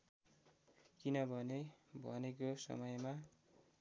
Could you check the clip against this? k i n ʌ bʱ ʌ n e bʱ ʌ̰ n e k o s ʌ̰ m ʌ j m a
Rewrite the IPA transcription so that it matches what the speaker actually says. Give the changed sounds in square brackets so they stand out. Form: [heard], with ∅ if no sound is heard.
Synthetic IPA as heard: k i n ʌ bʱ ʌ n e bʱ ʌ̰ n e k o s ʌ̰ m ʌ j m a